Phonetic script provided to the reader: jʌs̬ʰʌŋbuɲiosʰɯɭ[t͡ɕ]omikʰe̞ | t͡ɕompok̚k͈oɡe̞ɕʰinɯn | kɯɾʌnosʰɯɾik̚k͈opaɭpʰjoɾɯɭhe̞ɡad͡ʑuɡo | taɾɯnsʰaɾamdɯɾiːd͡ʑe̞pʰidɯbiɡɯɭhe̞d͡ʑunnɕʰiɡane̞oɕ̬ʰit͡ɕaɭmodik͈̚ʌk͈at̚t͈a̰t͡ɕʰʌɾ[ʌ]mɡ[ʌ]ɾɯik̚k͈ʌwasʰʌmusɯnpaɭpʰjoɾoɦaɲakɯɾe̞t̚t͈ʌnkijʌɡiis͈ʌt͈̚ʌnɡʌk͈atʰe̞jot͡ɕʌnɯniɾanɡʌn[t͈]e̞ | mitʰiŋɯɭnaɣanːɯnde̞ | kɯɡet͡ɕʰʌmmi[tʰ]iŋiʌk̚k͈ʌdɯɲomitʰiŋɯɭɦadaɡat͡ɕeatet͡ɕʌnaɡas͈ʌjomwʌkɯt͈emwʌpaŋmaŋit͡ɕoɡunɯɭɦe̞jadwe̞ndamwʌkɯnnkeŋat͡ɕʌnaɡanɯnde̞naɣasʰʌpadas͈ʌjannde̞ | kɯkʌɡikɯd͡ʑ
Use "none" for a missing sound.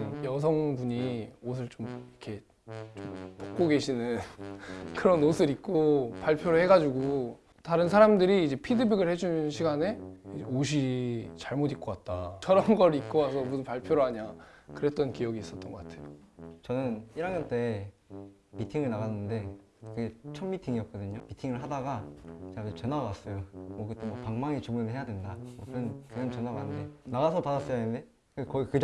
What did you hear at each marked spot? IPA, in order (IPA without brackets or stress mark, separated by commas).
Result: t͡ɕ, ʌ, ʌ, t͈, tʰ